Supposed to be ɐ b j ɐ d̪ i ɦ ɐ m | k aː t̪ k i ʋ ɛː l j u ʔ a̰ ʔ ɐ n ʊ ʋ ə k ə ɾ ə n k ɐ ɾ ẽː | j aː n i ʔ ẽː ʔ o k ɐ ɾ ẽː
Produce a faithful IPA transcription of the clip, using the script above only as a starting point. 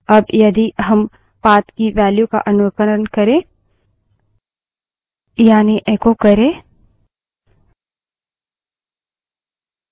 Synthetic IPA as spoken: ɐ b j ɐ d̪ i ɦ ɐ m | p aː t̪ k i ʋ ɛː l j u k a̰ ʔ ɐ n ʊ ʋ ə k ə ɾ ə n k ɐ ɾ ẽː | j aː n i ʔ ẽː k o k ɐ ɾ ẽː

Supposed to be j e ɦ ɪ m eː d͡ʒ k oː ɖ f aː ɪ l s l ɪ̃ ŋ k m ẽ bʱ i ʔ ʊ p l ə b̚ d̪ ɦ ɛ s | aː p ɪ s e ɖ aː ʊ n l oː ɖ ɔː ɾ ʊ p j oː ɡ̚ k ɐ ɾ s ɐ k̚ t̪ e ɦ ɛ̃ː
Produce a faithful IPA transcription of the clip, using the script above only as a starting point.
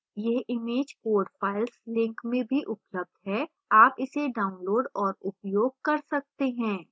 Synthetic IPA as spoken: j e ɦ ɪ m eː d͡ʒ k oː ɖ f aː ɪ l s l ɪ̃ ŋ k m ẽ bʱ i ʔ ʊ p l ə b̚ d̪ ɦ ɛ | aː p ɪ s e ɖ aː ʊ n l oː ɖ ɔː ɾ ʊ p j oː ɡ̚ k ɐ ɾ s ɐ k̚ t̪ e ɦ ɛ̃ː

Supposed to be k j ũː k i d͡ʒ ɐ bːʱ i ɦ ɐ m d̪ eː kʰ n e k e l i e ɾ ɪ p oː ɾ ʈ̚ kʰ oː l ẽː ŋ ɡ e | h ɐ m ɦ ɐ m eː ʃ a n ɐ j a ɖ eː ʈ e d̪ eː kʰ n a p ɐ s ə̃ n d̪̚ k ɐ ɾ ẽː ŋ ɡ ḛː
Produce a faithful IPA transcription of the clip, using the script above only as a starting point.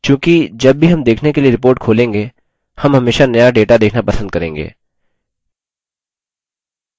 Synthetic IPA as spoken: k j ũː k i d͡ʒ ɐ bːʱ i ɦ ɐ m d̪ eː kʰ n e k e l i e ɾ ɪ p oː ɾ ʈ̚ kʰ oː l ẽː ŋ ɡ e | h ɐ m ɦ ɐ m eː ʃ a n ɐ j a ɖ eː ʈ a d̪ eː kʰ n a p ɐ s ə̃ n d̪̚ k ɐ ɾ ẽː ŋ ɡ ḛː

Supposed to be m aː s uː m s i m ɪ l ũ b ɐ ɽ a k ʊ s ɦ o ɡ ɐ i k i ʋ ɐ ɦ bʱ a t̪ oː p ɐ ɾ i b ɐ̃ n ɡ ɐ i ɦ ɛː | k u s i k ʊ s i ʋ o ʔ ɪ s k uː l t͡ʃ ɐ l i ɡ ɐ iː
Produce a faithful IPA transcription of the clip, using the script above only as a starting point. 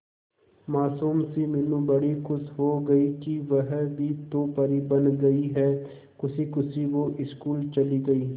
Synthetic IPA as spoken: m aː s uː m s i m ɪ l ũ b ɐ ɽ i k ʊ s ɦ o ɡ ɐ i k i ʋ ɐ ɦ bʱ i t̪ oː p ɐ ɾ i b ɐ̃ n ɡ ɐ i ɦ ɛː | k ʊ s i k ʊ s i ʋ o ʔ ɪ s k uː l t͡ʃ ɐ l i ɡ ɐ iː

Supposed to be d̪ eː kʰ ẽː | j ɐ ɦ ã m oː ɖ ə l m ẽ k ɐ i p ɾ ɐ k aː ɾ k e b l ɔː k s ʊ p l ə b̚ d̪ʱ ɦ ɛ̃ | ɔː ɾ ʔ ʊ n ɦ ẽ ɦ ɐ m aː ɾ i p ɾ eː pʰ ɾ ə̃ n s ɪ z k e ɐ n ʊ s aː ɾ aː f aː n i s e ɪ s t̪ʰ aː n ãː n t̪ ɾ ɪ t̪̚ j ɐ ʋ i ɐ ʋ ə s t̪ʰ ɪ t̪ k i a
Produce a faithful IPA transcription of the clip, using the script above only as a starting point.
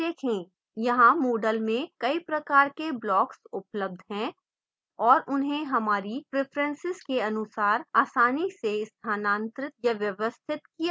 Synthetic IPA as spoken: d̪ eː kʰ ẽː | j ɐ ɦ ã m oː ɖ ə l m ẽ k ɐ i p ɾ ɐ k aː ɾ k e b l ɔː k s ʊ p l ə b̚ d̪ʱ ɦ ɛ̃ | ɔː ɾ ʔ ʊ n ɦ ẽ ɦ ɐ m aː ɾ i p ɾ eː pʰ ɾ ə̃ n s ɪ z k e ɐ n ʊ s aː ɾ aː s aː n i s e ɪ s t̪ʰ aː n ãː n t̪ ɾ ɪ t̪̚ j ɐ ʋ j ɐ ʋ ə s t̪ʰ ɪ t̪ k i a

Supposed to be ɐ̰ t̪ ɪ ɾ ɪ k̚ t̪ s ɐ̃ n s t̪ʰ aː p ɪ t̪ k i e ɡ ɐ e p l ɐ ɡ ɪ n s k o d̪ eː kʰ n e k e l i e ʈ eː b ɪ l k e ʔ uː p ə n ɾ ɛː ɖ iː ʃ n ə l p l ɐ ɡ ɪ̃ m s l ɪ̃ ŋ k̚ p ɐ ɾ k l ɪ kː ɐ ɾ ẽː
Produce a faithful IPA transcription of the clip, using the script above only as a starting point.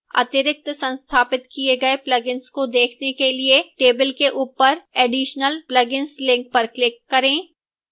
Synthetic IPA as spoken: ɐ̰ t̪ ɪ ɾ ɪ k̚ t̪ s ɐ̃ n s t̪ʰ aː p ɪ t̪ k i e ɡ ɐ e p l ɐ ɡ ɪ n s k o d̪ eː kʰ n e k e l i e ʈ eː b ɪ l k e ʔ uː p ə ɾ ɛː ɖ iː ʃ n ə l p l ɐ ɡ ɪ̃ n s l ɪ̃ ŋ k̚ p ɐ ɾ k l ɪ kː ɐ ɾ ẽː

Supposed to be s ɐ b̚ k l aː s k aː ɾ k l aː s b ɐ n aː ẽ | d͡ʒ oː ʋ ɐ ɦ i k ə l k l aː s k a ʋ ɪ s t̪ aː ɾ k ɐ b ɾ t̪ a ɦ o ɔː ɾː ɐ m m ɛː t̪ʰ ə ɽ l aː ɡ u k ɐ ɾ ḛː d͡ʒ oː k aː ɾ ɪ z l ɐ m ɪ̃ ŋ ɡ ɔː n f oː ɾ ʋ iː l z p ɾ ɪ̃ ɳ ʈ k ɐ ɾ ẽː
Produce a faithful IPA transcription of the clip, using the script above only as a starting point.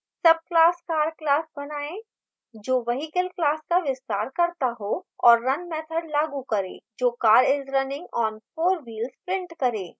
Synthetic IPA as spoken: s ɐ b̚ k l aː s k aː ɾ k l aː s b ɐ n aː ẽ | d͡ʒ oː ʋ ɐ ɦ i k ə l k l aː s k a ʋ ɪ s t̪ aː ɾ k ɐ ɾ t̪ a ɦ o ɔː ɾː ɐ n m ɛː t̪ʰ ə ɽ l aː ɡ u k ɐ ɾ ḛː d͡ʒ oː k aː ɾ ɪ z ɾ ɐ n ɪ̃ ŋ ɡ ɔː n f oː ɾ ʋ iː l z p ɾ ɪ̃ ɳ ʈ k ɐ ɾ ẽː

